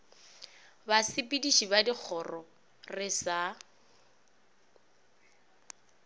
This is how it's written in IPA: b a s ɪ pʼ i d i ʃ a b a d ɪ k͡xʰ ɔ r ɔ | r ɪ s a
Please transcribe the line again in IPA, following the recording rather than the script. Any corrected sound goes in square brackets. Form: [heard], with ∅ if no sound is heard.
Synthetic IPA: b a s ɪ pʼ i d i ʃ [i] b a d [i] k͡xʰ ɔ r ɔ | r ɪ s a